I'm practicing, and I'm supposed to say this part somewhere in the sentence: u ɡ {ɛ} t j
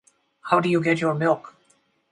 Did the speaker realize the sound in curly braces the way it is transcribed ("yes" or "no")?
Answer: yes